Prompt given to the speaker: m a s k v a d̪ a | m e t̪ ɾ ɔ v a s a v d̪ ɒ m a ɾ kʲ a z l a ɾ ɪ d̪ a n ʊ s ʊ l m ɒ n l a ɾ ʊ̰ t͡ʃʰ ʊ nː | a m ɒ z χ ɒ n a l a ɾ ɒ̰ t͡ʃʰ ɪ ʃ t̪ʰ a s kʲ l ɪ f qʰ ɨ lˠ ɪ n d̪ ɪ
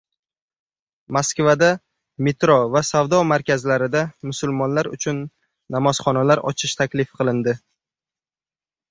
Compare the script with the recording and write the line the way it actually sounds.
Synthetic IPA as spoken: m a s k v a d̪ a | m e t̪ ɾ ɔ v a s a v d̪ ɒ m a ɾ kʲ a z l a ɾ ɪ d̪ a m ʊ s ʊ l m ɒ n l a ɾ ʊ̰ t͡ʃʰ ʊ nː | a m ɒ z χ ɒ n a l a ɾ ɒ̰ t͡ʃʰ ɪ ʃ t̪ʰ a kʲ l ɪ f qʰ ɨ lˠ ɪ n d̪ ɪ